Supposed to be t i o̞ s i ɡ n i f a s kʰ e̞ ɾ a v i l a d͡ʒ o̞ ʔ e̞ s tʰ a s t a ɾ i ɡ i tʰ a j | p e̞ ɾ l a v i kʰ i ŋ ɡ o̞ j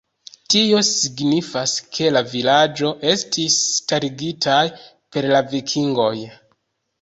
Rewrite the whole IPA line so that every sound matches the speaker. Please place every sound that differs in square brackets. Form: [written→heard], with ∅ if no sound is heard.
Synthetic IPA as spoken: t i o̞ s i ɡ n i f a s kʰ e̞ [ɾ→l] a v i l a d͡ʒ o̞ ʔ e̞ s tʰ [a→i] s t a ɾ i ɡ i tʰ a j | p e̞ ɾ l a v i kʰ i ŋ ɡ o̞ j